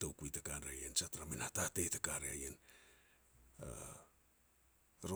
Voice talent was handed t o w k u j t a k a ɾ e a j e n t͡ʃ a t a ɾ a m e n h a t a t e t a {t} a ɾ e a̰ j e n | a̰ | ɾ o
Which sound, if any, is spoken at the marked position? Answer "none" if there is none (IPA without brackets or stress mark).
k